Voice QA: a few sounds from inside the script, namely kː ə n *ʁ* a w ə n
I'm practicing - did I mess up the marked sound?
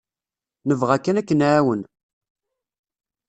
yes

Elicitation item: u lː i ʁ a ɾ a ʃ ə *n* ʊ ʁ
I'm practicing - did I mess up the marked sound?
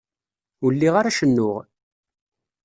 yes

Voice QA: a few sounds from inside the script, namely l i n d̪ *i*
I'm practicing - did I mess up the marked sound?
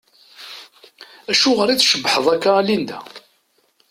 yes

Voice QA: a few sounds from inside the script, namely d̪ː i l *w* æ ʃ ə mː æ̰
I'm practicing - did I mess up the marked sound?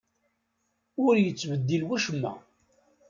no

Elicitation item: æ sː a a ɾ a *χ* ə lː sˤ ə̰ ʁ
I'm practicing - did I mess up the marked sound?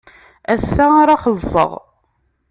no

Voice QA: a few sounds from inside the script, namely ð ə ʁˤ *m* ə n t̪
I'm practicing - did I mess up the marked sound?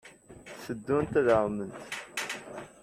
no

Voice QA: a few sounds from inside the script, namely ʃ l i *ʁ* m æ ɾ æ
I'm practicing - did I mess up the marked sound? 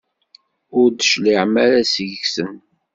yes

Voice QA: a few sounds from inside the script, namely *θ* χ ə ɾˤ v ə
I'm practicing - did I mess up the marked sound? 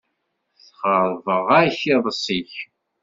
no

